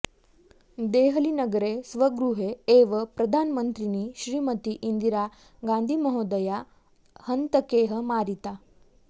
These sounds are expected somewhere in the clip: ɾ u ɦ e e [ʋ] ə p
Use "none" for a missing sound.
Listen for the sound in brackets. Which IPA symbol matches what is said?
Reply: ʋ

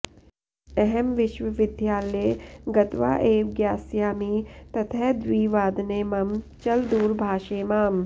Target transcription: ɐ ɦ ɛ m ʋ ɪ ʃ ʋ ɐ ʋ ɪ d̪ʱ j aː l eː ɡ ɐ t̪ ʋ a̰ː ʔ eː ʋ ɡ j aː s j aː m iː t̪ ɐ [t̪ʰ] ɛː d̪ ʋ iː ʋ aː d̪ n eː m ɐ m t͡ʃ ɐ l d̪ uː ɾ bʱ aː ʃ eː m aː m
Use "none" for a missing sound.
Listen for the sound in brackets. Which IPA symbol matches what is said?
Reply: t̪ʰ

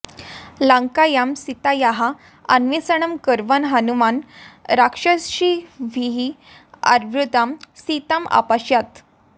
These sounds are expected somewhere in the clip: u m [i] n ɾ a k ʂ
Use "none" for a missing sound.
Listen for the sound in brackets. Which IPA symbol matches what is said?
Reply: a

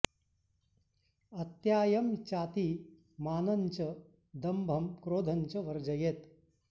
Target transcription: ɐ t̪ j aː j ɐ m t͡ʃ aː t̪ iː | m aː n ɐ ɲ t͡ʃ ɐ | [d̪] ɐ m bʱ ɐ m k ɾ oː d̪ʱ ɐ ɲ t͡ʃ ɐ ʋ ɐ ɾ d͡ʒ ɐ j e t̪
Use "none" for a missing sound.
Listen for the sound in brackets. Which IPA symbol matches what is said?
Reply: d̪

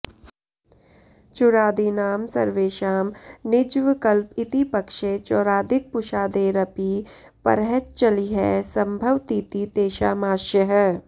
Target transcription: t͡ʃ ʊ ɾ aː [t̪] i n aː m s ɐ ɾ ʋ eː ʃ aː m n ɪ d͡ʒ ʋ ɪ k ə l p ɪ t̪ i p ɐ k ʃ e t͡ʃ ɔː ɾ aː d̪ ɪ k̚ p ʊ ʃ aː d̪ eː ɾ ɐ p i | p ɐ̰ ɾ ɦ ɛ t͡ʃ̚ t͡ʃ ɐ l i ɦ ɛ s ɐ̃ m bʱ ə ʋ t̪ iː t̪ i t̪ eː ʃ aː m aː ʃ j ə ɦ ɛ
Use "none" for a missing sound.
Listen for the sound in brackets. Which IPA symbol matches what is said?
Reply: d̪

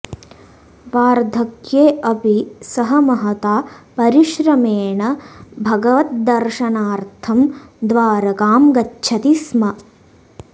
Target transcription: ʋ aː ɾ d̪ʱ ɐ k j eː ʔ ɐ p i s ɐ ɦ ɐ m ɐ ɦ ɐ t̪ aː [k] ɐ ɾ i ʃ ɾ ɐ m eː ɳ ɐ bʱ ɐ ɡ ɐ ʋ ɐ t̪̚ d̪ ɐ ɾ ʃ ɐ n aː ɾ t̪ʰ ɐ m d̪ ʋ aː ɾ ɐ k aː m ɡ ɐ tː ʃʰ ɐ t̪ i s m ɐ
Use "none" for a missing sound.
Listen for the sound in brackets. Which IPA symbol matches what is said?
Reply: p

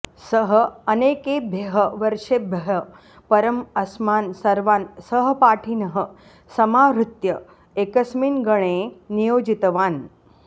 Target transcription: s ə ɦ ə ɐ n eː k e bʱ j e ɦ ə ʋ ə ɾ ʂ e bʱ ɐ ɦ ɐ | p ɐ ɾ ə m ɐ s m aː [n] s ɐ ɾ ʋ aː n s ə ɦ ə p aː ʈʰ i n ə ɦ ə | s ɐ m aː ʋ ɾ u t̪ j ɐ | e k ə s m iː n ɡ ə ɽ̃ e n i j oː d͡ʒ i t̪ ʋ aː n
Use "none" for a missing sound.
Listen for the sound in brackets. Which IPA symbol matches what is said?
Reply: n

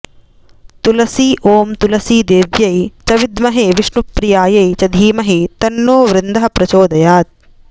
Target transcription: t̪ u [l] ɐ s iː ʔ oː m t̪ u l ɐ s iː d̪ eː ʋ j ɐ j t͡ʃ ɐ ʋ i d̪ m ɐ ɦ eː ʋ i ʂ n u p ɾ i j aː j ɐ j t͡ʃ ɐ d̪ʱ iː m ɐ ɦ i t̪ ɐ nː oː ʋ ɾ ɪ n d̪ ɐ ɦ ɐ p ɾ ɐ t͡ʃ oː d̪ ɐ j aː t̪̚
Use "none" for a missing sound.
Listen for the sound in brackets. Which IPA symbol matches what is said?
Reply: l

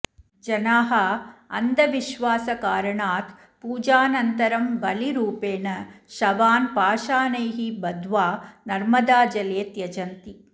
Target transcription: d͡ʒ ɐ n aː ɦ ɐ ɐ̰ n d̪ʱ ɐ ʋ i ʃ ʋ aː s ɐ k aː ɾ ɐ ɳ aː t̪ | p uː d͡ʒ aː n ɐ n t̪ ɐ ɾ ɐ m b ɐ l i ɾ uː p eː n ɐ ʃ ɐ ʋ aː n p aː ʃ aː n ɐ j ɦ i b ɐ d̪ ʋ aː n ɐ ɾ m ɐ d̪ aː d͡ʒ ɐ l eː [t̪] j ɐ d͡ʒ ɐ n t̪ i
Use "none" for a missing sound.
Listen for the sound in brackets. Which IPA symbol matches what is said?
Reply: t̪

